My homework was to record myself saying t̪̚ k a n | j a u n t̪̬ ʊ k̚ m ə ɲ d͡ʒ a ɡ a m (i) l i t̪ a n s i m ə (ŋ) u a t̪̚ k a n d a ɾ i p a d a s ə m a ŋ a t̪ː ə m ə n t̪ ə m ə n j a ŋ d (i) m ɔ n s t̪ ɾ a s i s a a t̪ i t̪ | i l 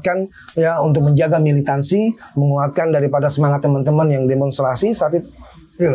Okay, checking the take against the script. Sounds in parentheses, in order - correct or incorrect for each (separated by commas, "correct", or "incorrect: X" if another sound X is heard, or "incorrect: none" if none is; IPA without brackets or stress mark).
correct, correct, incorrect: e